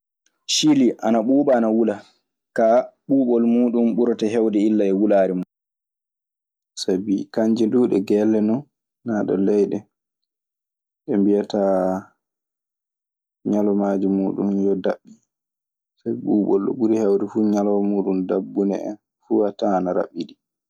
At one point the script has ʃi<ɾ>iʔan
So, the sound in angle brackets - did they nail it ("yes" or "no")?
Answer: no